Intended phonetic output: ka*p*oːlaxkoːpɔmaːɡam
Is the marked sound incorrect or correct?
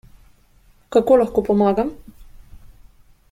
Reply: incorrect